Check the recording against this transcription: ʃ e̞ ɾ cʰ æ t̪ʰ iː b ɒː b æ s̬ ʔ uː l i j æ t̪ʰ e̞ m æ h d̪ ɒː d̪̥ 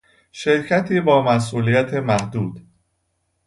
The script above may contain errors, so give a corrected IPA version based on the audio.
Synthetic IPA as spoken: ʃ e̞ ɾ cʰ æ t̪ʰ iː b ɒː m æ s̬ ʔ uː l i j æ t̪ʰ e̞ m æ h d̪ uː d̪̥